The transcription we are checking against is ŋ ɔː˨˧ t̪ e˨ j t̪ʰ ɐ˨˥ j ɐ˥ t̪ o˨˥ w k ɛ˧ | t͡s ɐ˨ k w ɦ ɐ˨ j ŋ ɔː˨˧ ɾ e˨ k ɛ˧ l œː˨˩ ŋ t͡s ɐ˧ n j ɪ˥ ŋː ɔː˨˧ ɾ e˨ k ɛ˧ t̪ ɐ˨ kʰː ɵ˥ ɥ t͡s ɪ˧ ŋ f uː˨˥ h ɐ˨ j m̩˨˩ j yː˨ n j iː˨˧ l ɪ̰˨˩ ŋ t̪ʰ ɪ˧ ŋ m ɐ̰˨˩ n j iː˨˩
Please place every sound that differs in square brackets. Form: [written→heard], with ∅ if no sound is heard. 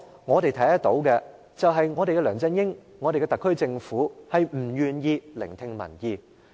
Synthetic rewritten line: ŋ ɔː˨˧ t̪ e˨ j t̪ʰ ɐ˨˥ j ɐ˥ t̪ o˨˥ w k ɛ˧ | t͡s ɐ˨ [k→∅] w ɦ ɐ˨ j ŋ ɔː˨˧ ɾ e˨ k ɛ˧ l œː˨˩ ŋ t͡s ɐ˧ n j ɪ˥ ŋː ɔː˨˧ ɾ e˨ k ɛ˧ t̪ ɐ˨ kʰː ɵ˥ ɥ t͡s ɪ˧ ŋ f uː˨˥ h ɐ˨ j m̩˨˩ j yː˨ n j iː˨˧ l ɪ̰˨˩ ŋ t̪ʰ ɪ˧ ŋ m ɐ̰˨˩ n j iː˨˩